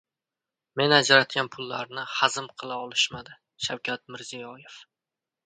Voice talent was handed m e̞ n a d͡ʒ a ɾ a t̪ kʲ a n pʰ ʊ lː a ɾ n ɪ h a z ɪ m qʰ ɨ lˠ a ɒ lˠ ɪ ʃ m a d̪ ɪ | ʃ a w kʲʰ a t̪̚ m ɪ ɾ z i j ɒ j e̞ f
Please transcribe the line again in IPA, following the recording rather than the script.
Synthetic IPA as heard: m e̞ n a d͡ʒ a ɾ a t̪ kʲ a n pʰ ʊ lː a ɾ n ɪ h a z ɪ m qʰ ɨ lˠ a ɒ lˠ ɪ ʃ m a d̪ ɪ | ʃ a w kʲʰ a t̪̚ m ɪ ɾ z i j ɒ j e̞ f